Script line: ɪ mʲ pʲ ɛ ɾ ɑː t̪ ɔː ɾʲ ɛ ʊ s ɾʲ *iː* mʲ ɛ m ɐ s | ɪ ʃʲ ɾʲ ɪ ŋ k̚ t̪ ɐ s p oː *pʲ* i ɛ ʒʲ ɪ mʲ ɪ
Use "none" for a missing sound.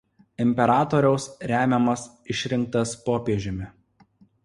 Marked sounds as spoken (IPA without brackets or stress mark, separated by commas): æː, pʲ